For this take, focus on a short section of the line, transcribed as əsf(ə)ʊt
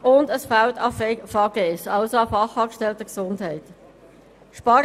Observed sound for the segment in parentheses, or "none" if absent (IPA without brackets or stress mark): a